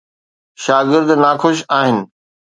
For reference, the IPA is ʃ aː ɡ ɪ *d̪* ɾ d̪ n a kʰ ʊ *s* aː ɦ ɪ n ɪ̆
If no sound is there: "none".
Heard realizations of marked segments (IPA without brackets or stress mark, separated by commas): none, ʃ